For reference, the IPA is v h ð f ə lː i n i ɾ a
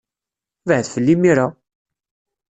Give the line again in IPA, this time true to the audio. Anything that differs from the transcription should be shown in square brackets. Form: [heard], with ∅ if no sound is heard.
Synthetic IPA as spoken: v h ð f ə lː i [m] i ɾ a